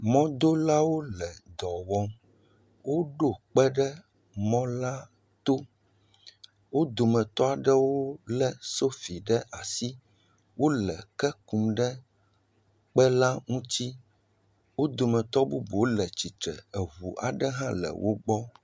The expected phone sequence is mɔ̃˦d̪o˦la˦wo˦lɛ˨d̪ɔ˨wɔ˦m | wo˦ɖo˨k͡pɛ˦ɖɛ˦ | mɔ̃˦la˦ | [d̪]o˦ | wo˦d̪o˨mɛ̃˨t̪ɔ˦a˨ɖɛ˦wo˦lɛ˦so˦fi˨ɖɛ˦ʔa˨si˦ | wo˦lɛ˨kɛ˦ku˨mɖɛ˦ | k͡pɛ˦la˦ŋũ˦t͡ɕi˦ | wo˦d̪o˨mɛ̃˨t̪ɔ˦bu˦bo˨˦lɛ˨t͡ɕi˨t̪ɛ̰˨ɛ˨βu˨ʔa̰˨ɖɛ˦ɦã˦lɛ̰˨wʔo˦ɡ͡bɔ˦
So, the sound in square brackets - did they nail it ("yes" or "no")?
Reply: no